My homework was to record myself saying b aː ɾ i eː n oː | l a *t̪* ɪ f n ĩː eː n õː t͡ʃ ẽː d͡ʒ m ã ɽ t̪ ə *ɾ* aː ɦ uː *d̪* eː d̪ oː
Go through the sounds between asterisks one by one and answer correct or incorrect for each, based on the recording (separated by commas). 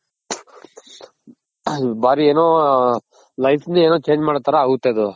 incorrect, correct, incorrect